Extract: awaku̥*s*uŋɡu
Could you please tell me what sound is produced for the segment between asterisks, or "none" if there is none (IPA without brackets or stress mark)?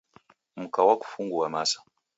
f